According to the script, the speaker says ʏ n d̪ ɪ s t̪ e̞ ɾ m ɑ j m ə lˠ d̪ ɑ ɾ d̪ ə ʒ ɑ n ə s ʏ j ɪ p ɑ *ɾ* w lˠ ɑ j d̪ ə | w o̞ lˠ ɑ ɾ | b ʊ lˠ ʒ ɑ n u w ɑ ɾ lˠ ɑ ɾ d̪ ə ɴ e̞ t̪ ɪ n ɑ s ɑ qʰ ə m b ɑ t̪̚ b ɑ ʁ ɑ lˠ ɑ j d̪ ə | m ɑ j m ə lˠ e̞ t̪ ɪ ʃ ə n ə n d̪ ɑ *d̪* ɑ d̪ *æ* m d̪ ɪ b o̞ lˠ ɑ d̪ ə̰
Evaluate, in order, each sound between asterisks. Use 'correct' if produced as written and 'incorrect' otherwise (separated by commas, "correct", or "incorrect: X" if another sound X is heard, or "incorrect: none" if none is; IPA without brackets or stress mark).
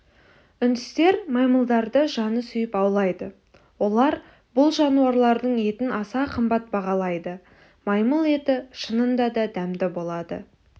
incorrect: none, correct, correct